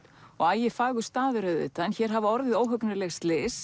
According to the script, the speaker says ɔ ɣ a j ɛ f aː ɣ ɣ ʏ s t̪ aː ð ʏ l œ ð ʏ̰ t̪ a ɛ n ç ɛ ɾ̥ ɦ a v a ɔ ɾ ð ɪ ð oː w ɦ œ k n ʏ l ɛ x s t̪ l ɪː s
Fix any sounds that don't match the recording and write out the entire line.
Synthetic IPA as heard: ɔ ɣ a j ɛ f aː ɣ ɣ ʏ s t̪ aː ð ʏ ɾ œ ð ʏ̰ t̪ a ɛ n ç ɛ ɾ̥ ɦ a v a ɔ ɾ ð ɪ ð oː w ɦ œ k n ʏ l ɛ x s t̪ l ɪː s